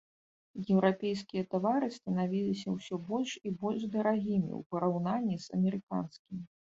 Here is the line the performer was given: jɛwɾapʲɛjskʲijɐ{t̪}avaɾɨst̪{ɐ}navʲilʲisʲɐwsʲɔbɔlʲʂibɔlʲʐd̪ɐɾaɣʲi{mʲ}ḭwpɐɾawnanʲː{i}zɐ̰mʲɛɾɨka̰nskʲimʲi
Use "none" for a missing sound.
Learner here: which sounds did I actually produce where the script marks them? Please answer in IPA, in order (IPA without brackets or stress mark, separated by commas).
t̪, ɐ, mʲ, i